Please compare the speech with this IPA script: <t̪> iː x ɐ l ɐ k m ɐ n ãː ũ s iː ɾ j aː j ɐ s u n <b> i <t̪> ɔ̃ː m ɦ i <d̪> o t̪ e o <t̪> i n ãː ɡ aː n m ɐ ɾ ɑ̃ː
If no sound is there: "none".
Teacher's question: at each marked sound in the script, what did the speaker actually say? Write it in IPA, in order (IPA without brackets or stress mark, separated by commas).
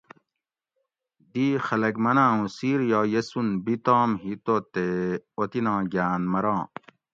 d̪, b, t̪, t̪, t̪